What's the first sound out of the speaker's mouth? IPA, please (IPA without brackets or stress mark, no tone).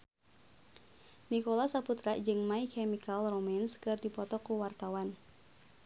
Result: n